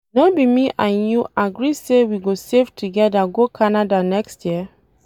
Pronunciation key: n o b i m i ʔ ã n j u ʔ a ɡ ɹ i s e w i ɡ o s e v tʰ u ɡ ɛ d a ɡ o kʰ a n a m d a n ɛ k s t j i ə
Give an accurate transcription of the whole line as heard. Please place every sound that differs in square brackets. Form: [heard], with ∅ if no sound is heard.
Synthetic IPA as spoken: n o b i m i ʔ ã n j u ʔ a ɡ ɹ i s e w i ɡ o s e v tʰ u ɡ ɛ d a ɡ o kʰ a n a [∅] d a n ɛ k s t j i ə